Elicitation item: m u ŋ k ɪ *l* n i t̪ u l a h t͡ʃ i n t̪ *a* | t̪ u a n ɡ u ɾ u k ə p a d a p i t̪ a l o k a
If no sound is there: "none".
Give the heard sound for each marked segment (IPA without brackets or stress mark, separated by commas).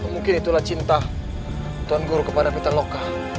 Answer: none, a